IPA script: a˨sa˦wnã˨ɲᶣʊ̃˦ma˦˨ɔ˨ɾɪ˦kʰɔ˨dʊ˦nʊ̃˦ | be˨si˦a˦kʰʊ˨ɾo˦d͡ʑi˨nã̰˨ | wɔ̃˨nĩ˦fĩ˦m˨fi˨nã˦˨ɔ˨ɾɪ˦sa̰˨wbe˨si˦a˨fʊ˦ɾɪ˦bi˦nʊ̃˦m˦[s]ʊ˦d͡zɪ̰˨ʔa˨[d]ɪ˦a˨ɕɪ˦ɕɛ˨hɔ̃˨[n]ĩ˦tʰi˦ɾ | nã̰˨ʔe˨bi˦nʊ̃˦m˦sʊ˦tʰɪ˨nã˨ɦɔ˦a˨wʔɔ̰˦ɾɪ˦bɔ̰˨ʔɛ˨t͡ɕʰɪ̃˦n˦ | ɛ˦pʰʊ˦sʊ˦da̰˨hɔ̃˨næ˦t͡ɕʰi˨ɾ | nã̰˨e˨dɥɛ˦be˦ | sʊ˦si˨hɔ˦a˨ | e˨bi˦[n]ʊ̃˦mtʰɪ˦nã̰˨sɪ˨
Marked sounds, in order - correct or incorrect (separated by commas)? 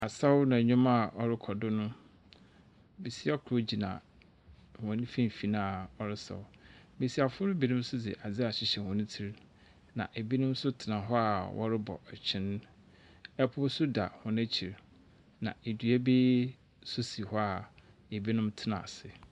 correct, incorrect, correct, correct